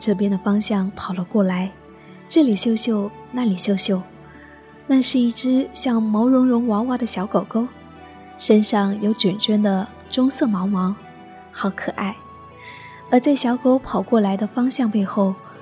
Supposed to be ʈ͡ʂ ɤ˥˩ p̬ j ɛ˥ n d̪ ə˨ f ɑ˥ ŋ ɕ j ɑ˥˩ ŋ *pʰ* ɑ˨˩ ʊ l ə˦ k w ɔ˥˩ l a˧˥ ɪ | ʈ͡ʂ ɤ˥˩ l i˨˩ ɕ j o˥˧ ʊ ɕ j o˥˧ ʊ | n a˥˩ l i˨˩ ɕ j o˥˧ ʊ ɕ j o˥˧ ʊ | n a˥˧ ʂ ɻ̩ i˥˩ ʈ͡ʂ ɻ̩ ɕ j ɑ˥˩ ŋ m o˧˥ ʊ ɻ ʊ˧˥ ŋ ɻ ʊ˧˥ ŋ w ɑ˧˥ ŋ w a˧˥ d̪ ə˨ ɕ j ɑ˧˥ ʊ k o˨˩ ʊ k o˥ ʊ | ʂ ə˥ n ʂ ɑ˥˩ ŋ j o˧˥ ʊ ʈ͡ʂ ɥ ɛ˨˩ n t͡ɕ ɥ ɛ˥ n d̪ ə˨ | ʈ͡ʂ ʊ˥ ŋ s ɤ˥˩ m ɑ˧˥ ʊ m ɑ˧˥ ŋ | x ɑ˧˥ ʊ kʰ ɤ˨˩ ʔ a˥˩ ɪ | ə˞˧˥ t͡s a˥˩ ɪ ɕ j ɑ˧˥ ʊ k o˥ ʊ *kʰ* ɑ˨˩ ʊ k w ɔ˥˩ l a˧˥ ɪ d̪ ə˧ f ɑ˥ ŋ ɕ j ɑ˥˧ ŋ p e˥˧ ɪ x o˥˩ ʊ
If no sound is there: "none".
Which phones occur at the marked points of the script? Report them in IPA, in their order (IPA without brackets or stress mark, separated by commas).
pʰ, pʰ